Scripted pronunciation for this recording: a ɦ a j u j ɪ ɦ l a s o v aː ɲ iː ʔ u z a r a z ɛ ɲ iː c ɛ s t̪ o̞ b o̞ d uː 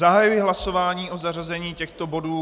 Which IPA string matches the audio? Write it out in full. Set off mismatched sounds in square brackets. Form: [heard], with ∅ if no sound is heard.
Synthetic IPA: a ɦ a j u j ɪ ɦ l a s o v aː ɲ iː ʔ [o] z a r a z ɛ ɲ iː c ɛ [x] t̪ o̞ b o̞ d uː

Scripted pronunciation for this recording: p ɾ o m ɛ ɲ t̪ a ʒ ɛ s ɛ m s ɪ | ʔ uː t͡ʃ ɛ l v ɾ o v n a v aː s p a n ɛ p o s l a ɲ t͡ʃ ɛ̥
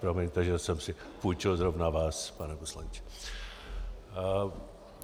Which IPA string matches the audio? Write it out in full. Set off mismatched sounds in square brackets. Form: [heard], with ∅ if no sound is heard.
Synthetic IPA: p ɾ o m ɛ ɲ t̪ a ʒ ɛ s ɛ m s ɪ | [p] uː t͡ʃ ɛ l [z] ɾ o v n a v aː s p a n ɛ p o s l a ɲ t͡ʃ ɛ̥

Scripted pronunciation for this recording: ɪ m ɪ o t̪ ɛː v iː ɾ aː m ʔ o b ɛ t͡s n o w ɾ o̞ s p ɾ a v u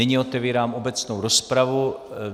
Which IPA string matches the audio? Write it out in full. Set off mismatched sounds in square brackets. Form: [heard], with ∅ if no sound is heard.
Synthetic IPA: ɪ [ɲ] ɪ o t̪ [ɛ] v iː ɾ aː m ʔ o b ɛ t͡s n o w ɾ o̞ s p ɾ a v u

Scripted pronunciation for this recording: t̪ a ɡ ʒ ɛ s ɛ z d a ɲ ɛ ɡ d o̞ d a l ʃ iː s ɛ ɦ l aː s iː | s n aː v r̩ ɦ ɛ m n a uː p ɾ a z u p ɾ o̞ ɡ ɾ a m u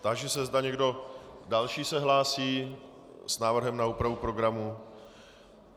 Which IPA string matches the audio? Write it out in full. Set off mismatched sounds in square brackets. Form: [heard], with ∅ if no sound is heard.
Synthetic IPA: t̪ a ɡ ʒ ɛ s ɛ z d a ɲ ɛ ɡ d o̞ d a l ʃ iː s ɛ ɦ l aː s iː | s n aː v r̩ ɦ ɛ m n a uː p ɾ a [v] u p ɾ o̞ ɡ ɾ a m u

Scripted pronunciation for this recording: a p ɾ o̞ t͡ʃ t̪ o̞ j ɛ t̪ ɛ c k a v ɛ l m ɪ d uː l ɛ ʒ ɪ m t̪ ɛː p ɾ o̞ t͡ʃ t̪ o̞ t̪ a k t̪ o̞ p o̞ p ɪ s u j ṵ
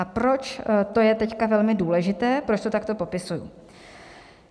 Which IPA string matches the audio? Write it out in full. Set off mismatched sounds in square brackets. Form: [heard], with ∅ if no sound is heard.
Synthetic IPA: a p ɾ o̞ t͡ʃ t̪ o̞ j ɛ t̪ ɛ c k a v ɛ l m ɪ d uː l ɛ ʒ ɪ [∅] t̪ ɛː p ɾ o̞ t͡ʃ t̪ o̞ t̪ a k t̪ o̞ p o̞ p ɪ s u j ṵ

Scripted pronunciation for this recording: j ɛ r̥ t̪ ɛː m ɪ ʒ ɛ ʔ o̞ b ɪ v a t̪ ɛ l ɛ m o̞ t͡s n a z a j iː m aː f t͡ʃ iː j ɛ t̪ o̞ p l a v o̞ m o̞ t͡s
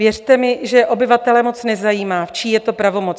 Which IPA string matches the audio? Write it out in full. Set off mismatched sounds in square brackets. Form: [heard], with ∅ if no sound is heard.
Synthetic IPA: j ɛ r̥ t̪ [ɛ] m ɪ ʒ ɛ ʔ o̞ b ɪ v a t̪ ɛ l ɛ m o̞ t͡s n [ɛ] z a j iː m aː f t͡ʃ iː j ɛ t̪ o̞ p [ɾ] a v o̞ m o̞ t͡s

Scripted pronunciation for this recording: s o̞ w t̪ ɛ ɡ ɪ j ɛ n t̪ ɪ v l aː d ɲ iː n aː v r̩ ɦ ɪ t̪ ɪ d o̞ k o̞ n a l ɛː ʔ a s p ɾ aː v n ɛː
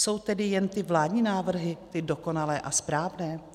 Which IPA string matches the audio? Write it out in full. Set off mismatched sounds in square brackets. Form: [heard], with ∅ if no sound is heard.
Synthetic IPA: s o̞ w t̪ ɛ [d] ɪ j ɛ n t̪ ɪ v l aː d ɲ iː n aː v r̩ ɦ ɪ t̪ ɪ d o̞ k o̞ n a l ɛː ʔ a s p ɾ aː v n ɛː

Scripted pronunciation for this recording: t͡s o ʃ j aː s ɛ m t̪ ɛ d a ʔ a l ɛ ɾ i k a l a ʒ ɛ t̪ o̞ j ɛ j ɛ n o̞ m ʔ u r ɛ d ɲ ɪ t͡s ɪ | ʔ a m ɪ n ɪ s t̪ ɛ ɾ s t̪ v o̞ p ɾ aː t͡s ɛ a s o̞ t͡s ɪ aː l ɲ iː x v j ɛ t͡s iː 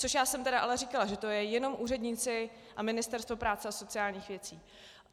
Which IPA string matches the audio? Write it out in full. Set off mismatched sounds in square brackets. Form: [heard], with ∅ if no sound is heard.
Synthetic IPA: t͡s o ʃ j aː s ɛ m t̪ ɛ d a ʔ a l ɛ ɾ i k a l a ʒ ɛ t̪ o̞ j ɛ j ɛ n o̞ m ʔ [uː] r ɛ d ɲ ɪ t͡s ɪ | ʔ a m ɪ n ɪ s t̪ ɛ ɾ s t̪ v o̞ p ɾ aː t͡s ɛ a s o̞ t͡s ɪ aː l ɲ iː x v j ɛ t͡s iː

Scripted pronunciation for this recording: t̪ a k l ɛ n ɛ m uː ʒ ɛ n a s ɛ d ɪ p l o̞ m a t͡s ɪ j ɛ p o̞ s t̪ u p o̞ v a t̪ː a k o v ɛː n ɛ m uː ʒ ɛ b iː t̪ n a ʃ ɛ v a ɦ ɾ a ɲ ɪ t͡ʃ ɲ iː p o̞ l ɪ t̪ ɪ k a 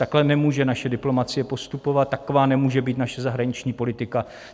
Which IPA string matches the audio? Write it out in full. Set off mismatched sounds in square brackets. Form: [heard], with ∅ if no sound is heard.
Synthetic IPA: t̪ a k l ɛ n ɛ m uː ʒ ɛ n a [ʃ] ɛ d ɪ p l o̞ m a t͡s ɪ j ɛ p o̞ s t̪ u p o̞ v a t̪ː a k o v [aː] n ɛ m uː ʒ ɛ b iː t̪ n a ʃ ɛ [z] a ɦ ɾ a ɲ ɪ t͡ʃ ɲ iː p o̞ l ɪ t̪ ɪ k a

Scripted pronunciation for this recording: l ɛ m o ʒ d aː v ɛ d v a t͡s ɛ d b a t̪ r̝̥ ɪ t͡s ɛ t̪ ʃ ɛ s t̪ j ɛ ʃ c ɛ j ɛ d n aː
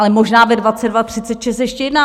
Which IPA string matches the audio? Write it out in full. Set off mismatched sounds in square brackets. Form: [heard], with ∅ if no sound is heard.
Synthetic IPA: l ɛ m o ʒ [n] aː v ɛ d v a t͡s ɛ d [v] a t̪ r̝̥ ɪ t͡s ɛ t̪ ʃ ɛ s t̪ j ɛ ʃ c ɛ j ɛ d n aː

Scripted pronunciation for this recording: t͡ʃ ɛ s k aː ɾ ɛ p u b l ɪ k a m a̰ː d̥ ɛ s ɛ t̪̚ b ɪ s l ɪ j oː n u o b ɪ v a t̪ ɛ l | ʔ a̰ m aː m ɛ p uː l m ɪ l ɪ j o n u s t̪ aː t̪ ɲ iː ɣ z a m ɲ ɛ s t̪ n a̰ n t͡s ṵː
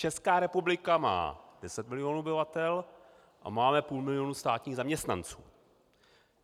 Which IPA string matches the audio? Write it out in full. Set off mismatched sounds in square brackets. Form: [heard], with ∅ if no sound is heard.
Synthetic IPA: t͡ʃ ɛ s k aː ɾ ɛ p u b l ɪ k a m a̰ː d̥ ɛ s ɛ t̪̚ [m] ɪ [∅] l ɪ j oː n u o b ɪ v a t̪ ɛ l | ʔ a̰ m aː m ɛ p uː l m ɪ l ɪ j o n u s t̪ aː t̪ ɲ iː ɣ z a m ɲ ɛ s t̪ n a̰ n t͡s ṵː

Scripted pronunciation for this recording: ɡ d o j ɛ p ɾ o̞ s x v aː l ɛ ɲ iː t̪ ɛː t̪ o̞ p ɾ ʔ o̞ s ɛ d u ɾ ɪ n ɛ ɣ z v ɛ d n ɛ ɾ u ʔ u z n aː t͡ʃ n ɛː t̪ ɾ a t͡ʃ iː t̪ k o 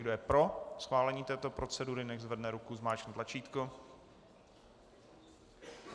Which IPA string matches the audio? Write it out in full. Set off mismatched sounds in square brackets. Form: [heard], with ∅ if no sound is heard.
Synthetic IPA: ɡ d o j ɛ p ɾ o̞ s x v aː l ɛ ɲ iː t̪ ɛː t̪ o̞ p ɾ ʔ o̞ [t͡s] ɛ d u ɾ ɪ n ɛ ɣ z v ɛ d n ɛ ɾ u [k] u z [m] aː t͡ʃ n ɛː t̪ [l] a t͡ʃ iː t̪ k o

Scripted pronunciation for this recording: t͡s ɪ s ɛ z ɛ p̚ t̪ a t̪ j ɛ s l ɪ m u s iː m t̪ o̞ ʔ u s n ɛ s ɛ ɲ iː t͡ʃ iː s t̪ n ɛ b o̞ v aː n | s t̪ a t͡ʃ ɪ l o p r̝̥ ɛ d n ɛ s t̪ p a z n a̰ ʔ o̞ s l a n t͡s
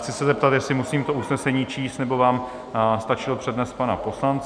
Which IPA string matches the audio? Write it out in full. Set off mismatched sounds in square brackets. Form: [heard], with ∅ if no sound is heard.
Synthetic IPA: t͡s ɪ s ɛ z ɛ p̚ t̪ a t̪ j ɛ s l ɪ m u s iː m t̪ o̞ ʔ u s n ɛ s ɛ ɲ iː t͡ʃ iː s t̪ n ɛ b o̞ v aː [m] | s t̪ a t͡ʃ ɪ l o p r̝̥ ɛ d n ɛ s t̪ p a [∅] n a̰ [p] o̞ s l a n t͡s

